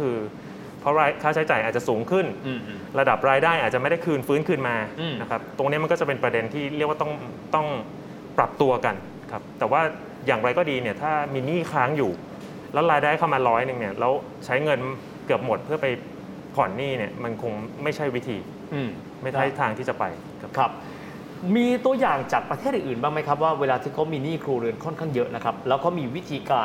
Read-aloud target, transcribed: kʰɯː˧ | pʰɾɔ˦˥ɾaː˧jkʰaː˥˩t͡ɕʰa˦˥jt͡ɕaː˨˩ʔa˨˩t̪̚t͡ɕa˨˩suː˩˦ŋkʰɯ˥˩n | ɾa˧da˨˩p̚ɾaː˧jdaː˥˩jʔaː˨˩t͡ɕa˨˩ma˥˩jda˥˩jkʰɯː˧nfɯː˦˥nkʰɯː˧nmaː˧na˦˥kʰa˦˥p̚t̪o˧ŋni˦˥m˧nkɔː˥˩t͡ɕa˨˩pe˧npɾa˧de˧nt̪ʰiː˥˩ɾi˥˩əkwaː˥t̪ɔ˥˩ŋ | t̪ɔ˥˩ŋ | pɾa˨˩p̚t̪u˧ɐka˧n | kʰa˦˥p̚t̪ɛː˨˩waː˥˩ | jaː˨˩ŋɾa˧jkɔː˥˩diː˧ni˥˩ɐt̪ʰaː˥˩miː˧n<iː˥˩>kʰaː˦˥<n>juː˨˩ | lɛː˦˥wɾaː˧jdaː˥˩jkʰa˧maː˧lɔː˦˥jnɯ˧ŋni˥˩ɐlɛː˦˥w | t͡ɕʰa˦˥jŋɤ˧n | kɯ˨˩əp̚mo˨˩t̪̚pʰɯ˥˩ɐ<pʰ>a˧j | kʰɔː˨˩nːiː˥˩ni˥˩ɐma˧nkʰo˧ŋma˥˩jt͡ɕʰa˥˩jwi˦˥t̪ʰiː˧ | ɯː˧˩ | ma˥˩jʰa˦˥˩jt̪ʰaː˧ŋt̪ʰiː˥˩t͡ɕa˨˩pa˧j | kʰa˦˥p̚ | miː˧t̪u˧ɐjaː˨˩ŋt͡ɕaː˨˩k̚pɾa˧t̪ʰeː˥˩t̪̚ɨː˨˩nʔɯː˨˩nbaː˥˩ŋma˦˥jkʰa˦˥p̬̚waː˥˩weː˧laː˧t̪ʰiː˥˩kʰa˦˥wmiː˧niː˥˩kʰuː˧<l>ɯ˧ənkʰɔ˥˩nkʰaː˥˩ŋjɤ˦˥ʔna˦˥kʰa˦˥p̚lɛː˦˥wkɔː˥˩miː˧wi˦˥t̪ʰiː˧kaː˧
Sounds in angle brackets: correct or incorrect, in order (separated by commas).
correct, incorrect, incorrect, incorrect